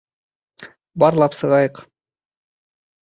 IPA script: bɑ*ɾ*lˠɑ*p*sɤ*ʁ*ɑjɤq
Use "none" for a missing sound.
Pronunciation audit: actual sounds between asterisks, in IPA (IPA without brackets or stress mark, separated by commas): ɾ, p, ʁ